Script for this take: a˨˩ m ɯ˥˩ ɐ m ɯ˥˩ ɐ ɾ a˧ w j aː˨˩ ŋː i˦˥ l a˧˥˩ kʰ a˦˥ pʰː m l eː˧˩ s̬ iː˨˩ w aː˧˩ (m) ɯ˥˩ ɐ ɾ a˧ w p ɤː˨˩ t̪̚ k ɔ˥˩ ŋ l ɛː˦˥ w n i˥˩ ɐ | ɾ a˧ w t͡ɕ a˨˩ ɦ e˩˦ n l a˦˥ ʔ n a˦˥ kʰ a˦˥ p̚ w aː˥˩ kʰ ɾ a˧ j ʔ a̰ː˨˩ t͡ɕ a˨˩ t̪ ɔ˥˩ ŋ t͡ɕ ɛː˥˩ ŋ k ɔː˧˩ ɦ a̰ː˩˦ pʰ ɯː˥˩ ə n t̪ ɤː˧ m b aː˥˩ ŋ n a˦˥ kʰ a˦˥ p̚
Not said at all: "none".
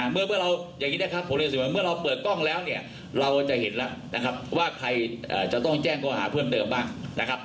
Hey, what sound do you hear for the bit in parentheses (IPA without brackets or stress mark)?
m